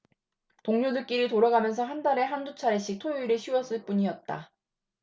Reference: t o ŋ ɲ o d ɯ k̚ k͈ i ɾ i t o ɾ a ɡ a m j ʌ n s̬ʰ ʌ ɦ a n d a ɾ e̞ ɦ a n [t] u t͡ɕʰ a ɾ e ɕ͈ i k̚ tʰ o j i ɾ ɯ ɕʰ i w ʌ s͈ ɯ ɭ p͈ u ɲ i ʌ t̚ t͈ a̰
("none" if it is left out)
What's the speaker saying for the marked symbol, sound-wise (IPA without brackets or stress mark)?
d